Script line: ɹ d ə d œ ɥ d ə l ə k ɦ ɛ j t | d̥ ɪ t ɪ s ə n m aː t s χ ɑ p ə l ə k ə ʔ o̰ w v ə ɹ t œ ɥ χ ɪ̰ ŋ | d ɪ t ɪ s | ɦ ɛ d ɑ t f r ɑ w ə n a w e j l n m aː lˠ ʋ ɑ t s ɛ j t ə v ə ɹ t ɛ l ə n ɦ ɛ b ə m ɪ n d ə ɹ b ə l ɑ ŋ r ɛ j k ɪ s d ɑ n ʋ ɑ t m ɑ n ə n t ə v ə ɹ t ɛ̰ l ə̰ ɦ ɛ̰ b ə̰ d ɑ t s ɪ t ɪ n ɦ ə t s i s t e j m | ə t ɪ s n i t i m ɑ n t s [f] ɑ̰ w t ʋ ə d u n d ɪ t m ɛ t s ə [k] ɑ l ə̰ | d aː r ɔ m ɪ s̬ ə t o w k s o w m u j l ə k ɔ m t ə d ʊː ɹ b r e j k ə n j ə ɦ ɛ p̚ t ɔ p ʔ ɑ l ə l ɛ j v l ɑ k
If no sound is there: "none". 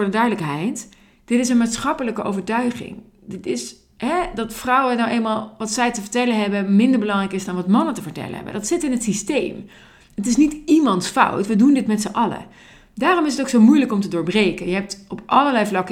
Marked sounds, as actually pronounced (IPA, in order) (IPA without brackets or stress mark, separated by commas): f, ʔ